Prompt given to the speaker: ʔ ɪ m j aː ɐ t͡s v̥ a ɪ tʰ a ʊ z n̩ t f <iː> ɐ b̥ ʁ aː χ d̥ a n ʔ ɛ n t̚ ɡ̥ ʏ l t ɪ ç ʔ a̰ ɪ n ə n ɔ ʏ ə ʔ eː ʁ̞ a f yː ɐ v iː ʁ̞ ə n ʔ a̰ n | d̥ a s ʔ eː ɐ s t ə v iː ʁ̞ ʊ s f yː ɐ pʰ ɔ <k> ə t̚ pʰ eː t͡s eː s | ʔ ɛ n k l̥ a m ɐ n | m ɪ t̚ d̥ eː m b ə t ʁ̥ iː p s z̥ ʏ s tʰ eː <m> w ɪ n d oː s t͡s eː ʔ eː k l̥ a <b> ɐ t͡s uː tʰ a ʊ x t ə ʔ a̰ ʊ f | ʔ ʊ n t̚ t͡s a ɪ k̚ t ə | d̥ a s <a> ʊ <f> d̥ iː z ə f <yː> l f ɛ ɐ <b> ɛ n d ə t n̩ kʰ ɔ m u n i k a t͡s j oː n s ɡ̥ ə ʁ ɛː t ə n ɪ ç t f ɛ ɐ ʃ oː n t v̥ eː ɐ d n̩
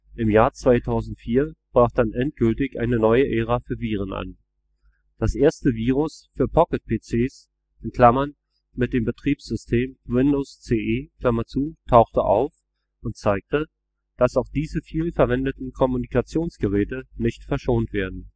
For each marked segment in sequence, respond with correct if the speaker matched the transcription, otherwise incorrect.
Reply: correct, correct, correct, incorrect: m, correct, incorrect: x, incorrect: iː, incorrect: v

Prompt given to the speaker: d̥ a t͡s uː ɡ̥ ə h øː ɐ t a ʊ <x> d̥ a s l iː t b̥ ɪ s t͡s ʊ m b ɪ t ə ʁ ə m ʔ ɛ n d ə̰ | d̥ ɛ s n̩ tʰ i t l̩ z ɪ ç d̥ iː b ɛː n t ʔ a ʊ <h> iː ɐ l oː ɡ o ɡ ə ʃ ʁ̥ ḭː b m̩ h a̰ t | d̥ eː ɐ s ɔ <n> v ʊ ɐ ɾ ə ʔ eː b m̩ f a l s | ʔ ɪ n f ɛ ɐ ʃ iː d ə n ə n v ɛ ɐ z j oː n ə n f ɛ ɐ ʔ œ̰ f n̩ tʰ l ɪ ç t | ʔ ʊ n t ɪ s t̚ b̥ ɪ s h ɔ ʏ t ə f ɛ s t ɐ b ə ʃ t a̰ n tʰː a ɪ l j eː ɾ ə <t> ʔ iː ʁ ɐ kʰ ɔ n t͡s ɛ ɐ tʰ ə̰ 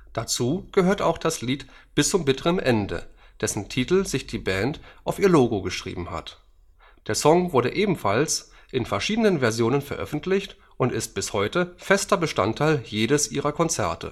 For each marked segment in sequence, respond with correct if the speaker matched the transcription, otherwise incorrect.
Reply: correct, incorrect: f, incorrect: ŋ, incorrect: s

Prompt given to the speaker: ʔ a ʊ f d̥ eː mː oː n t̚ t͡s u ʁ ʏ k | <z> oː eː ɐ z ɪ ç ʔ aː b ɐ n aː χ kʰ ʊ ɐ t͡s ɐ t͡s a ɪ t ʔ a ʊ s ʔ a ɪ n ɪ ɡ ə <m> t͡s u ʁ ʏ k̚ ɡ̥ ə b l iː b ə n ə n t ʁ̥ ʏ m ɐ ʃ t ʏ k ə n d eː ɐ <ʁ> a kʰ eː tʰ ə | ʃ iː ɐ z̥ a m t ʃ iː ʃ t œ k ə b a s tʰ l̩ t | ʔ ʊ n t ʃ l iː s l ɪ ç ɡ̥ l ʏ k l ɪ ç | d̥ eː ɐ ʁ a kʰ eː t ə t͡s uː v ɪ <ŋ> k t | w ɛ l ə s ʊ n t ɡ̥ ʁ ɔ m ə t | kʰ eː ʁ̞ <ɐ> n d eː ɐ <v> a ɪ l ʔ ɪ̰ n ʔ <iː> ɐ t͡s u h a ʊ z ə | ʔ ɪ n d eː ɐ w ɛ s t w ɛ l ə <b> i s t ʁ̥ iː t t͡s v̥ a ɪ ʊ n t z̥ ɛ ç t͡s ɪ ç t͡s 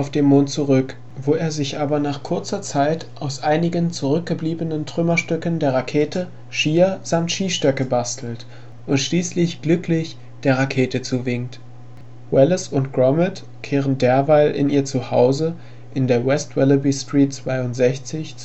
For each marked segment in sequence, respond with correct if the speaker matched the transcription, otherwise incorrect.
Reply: incorrect: v, incorrect: n, correct, correct, incorrect: ə, correct, correct, correct

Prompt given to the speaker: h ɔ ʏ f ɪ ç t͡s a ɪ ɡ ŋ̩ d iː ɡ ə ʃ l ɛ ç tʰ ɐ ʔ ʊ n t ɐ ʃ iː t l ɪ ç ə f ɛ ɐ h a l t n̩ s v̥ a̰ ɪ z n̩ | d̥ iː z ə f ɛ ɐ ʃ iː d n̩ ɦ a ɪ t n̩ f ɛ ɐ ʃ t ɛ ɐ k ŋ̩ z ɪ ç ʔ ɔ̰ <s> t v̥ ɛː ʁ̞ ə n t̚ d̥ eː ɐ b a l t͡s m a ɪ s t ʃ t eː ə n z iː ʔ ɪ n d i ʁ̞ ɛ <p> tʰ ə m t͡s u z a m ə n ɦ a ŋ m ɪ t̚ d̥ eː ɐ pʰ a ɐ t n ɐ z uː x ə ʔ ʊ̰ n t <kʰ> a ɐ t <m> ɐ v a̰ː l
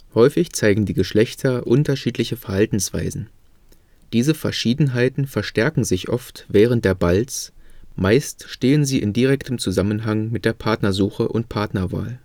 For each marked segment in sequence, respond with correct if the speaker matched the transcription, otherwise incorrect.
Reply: incorrect: f, incorrect: k, incorrect: pʰ, incorrect: n

